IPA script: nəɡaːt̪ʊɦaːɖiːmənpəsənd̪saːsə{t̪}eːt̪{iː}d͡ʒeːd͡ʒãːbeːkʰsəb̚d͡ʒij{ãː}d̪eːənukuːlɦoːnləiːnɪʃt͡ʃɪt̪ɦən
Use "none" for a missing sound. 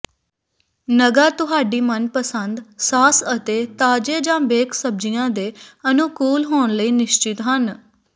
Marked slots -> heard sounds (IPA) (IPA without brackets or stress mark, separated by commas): t̪, aː, ãː